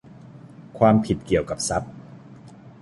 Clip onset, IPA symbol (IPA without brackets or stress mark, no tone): kʰ